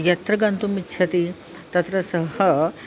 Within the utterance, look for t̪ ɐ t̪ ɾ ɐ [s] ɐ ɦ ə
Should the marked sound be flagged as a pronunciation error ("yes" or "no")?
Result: no